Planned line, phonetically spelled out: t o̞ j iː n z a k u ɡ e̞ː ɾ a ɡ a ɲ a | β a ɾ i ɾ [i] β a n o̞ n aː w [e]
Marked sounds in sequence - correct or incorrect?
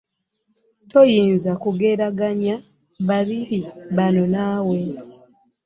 correct, correct

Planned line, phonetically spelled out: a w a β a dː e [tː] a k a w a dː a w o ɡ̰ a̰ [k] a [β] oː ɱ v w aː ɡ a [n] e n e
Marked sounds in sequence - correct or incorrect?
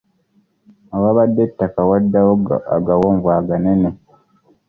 correct, incorrect, incorrect, correct

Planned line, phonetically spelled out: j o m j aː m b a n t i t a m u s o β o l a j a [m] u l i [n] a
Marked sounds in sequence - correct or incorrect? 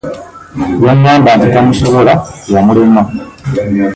correct, incorrect

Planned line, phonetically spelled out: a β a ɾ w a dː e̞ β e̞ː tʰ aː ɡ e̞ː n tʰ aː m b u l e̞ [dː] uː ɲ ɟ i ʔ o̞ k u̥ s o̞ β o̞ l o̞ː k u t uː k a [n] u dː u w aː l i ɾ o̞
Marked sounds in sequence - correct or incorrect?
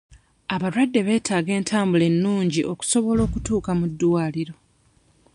incorrect, incorrect

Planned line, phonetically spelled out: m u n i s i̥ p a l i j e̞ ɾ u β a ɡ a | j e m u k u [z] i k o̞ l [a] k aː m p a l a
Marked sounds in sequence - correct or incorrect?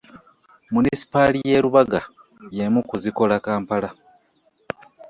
correct, correct

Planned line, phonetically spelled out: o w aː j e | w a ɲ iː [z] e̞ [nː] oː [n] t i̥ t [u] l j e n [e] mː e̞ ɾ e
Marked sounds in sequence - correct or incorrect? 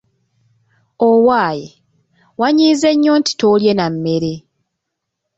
correct, incorrect, correct, incorrect, incorrect

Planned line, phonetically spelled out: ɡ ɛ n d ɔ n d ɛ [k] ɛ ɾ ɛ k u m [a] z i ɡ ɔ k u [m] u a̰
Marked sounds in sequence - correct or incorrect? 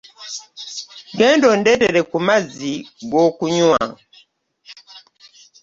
incorrect, correct, incorrect

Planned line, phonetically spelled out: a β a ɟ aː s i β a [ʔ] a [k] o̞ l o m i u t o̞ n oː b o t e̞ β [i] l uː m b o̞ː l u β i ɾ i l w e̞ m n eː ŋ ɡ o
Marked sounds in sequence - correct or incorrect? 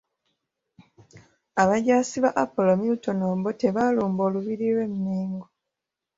correct, incorrect, incorrect

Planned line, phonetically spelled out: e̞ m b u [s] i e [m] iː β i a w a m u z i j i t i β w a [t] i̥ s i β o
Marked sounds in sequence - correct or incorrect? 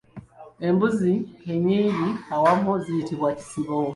incorrect, incorrect, incorrect

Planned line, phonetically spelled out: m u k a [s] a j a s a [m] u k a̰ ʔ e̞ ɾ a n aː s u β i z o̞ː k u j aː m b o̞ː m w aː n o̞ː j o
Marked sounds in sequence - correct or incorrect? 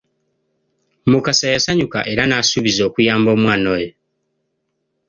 correct, incorrect

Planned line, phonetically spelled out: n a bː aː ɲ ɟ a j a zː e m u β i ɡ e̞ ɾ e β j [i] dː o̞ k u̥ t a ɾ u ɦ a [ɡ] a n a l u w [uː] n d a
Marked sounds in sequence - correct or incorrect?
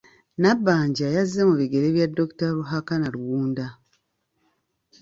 incorrect, incorrect, correct

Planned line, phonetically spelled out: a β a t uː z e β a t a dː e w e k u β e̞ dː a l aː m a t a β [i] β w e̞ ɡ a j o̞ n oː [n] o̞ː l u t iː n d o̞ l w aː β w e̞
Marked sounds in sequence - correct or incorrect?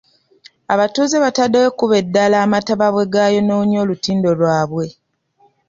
incorrect, incorrect

